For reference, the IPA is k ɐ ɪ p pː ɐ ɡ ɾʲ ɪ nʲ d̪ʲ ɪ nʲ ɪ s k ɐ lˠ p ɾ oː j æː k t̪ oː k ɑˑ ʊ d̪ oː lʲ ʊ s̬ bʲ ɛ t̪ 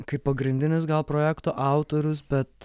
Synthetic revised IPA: k ɐ ɪ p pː ɐ ɡ ɾʲ ɪ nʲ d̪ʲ ɪ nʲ ɪ s ɡ ɐ lˠ p ɾ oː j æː k t̪ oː ʔ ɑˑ ʊ t̪ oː ɾʲ ʊ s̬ bʲ ɛ t̪